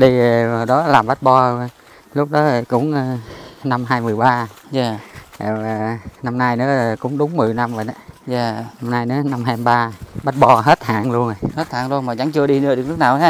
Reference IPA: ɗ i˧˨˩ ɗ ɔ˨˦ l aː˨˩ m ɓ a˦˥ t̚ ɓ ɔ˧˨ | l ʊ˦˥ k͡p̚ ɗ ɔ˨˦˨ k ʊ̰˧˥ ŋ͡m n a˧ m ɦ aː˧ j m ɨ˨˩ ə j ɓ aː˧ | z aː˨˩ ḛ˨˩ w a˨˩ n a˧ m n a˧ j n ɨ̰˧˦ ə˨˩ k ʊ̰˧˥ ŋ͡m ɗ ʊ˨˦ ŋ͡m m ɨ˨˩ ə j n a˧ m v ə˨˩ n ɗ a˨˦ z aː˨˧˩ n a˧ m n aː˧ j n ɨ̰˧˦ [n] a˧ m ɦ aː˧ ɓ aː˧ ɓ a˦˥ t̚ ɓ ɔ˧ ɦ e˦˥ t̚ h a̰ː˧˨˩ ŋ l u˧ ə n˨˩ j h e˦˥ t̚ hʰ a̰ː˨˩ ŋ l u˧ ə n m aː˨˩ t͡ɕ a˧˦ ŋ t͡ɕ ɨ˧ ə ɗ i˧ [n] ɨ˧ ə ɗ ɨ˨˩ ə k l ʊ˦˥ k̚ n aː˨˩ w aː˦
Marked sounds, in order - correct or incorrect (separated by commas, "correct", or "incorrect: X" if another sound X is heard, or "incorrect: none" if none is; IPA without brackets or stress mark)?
correct, correct